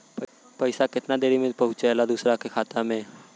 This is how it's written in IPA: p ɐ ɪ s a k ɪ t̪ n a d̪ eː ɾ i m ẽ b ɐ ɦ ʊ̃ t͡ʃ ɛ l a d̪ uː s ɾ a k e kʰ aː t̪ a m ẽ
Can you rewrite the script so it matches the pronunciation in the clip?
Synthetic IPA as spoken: p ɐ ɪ s a k ɪ t̪ n a d̪ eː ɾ i m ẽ p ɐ ɦ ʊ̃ t͡ʃ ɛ l a d̪ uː s ɾ a k e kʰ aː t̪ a m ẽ